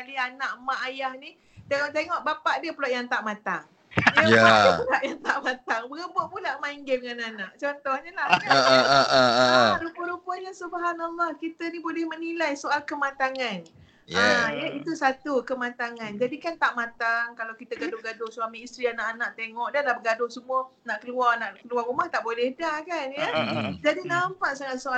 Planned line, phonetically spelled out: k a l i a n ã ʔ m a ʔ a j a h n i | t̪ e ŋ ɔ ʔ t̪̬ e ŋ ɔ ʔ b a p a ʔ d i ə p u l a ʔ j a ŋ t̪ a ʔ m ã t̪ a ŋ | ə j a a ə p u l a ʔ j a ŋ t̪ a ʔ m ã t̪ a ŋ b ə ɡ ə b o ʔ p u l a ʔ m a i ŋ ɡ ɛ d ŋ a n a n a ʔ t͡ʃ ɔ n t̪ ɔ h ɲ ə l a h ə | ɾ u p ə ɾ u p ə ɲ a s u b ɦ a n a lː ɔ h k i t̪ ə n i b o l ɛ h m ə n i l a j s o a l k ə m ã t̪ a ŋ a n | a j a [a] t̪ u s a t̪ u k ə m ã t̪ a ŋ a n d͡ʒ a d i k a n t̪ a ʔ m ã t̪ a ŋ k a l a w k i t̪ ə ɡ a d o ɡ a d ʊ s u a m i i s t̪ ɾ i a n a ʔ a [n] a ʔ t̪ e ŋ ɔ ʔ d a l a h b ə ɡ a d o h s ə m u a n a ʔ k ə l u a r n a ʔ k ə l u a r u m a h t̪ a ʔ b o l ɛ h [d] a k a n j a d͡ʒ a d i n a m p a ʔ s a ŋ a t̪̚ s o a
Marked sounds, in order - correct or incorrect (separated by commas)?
incorrect, correct, correct